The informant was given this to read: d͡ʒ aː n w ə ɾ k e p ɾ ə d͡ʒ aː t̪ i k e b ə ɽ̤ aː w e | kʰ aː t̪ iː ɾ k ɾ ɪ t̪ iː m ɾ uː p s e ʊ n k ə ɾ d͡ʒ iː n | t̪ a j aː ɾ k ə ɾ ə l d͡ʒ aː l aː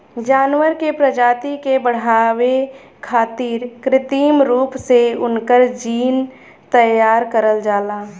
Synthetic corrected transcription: d͡ʒ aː n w ə ɾ k e p ɾ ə d͡ʒ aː t̪ i k e b ə ɽ̤ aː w e | kʰ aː t̪ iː ɾ k ɾ ɪ t̪ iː m ɾ uː p s e ʊ n k ə ɾ d͡ʒ iː n | t̪ ə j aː ɾ k ə ɾ ə l d͡ʒ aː l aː

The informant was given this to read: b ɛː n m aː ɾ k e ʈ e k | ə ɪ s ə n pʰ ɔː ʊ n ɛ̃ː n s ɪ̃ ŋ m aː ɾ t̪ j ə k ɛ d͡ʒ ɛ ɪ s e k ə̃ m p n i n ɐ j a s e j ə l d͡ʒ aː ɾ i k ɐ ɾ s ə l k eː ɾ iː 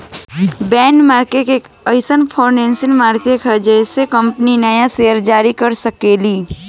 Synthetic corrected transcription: b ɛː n m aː ɾ k e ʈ e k | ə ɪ s ə n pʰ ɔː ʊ n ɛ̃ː n s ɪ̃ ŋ m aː ɾ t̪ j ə k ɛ d͡ʒ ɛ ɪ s e k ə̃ m p n i n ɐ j a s e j ə ɾ d͡ʒ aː ɾ i k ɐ ɾ s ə k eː l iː

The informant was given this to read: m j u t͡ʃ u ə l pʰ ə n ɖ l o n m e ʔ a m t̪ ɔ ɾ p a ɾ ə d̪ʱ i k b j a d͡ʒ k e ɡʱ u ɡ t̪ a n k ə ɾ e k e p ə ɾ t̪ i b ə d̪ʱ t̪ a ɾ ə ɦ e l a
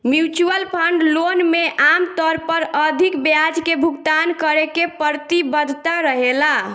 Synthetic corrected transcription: m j u t͡ʃ u ə l pʰ ə ɳ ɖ l o n m e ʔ a m t̪ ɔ ɾ p ə ɾ ə d̪ʱ i k b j a d͡ʒ k e bʱ u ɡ t̪ a n k ə ɾ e k e p ə ɾ t̪ i b ə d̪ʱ t̪ a ɾ ə ɦ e l a

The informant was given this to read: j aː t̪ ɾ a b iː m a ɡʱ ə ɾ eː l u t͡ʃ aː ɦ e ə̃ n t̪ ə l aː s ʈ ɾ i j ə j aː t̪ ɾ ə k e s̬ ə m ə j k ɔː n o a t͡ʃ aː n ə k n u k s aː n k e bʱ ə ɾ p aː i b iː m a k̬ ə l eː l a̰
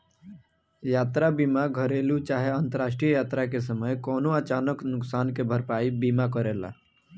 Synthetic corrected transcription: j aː t̪ ɾ a b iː m a ɡʱ ə ɾ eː l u t͡ʃ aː ɦ e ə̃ n t̪ ə ɾ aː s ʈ ɾ i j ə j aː t̪ ɾ a k e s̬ ə m ə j k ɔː n o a t͡ʃ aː n ə k n ʊ k s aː n k e bʱ ə ɾ p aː i b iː m a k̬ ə ɾ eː l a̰

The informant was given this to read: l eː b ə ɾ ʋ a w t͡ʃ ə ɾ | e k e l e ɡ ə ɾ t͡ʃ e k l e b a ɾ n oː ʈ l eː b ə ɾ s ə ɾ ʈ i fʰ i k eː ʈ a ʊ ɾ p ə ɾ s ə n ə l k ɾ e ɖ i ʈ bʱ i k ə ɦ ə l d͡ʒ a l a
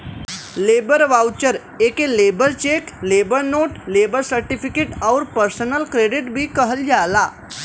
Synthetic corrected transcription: l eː b ə ɾ ʋ a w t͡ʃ ə ɾ | e k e l e b ə ɾ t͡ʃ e k l e b ə ɾ n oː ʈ l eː b ə ɾ s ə ɾ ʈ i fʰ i k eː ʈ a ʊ ɾ p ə ɾ s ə n ə l k ɾ e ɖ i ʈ bʱ i k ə ɦ ə l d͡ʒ a l a

